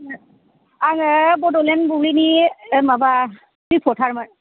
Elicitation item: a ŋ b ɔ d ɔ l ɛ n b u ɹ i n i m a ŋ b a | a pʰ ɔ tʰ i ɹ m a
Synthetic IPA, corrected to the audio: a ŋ b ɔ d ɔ l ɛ n b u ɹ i n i m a b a | i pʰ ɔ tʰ a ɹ m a